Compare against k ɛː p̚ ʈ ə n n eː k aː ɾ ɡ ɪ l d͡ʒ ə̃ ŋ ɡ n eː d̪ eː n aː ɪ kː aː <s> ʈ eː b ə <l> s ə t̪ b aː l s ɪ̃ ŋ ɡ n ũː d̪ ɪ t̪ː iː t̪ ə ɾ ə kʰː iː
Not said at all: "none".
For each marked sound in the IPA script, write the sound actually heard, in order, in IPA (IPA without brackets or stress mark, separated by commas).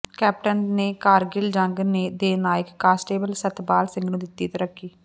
s, l